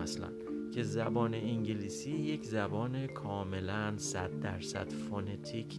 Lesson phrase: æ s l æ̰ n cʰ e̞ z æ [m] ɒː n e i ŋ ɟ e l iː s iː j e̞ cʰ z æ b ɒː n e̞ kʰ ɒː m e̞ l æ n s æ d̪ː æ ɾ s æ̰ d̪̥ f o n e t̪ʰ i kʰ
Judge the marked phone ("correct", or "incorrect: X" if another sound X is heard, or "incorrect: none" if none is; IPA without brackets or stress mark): incorrect: b